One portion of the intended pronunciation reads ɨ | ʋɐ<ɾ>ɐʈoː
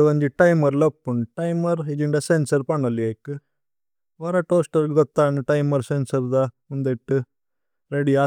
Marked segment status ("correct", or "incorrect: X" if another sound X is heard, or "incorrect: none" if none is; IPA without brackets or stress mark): correct